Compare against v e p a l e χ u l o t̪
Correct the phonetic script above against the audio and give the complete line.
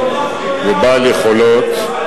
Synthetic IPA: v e b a l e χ o l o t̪